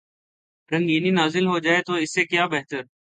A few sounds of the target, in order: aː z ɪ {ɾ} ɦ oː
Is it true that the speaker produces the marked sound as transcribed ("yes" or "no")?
no